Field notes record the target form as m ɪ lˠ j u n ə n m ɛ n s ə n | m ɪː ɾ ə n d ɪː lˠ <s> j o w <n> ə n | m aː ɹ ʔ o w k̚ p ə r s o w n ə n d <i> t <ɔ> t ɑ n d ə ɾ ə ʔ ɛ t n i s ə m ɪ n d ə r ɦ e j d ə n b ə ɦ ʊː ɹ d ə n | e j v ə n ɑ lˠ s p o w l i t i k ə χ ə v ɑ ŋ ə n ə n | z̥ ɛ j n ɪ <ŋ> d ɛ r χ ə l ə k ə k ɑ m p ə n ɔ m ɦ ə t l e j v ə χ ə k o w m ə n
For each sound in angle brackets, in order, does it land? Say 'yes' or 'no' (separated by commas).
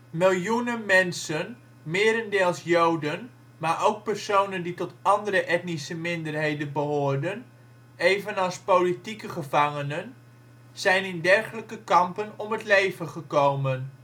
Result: yes, no, yes, yes, no